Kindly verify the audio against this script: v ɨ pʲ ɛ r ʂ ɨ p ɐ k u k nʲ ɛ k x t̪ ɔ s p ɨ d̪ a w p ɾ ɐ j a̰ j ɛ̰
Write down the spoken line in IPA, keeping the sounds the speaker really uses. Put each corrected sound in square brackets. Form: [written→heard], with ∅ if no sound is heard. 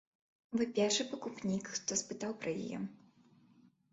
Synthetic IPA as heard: v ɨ pʲ ɛ r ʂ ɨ p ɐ k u [k→p] nʲ [ɛ→i] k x t̪ ɔ s p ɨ [d̪→t̪] a w p ɾ ɐ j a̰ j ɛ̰